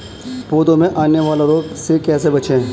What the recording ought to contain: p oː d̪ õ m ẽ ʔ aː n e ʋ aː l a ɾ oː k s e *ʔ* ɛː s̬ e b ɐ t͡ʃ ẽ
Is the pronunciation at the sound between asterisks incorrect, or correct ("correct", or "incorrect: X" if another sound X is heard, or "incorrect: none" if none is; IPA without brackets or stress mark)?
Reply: incorrect: k